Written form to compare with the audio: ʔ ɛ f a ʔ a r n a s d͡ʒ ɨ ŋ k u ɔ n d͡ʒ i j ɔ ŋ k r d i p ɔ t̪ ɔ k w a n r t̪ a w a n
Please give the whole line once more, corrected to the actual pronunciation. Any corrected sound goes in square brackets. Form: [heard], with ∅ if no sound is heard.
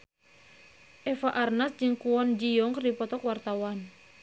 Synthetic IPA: ʔ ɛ f a ʔ a r n a s d͡ʒ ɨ ŋ k u ɔ n d͡ʒ i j ɔ ŋ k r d i p ɔ t̪ ɔ k w a [∅] r t̪ a w a n